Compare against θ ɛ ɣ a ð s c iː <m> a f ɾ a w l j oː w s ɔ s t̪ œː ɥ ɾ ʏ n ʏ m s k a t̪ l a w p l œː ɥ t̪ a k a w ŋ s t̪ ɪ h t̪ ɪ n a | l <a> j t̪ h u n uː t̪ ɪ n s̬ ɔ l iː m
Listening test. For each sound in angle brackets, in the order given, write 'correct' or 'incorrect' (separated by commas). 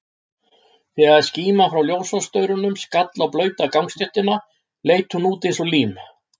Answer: correct, incorrect